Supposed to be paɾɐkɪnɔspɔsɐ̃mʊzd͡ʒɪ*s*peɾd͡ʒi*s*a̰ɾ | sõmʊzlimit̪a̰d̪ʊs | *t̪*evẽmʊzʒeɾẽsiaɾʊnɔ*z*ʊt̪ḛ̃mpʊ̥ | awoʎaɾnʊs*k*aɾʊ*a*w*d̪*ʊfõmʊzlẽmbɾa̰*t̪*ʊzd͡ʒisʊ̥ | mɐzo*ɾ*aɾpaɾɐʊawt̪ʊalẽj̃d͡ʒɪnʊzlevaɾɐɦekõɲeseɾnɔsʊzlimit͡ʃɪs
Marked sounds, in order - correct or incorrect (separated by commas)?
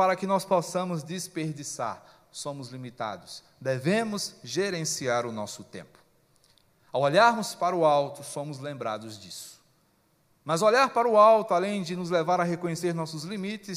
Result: correct, correct, incorrect, incorrect, incorrect, correct, incorrect, incorrect, incorrect